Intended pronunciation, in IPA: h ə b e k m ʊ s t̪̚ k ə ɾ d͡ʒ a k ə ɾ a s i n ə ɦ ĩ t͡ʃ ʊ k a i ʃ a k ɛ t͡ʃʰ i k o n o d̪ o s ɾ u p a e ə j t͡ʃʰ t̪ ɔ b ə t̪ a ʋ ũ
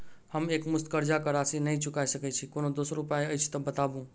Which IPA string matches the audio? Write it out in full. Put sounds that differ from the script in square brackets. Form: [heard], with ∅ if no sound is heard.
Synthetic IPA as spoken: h ə [m] e k m ʊ s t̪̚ k ə ɾ d͡ʒ a k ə ɾ a s i n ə ɦ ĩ t͡ʃ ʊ k a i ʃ [ə] k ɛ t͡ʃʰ i k o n o d̪ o s ɾ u p a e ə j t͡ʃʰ t̪ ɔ b ə t̪ a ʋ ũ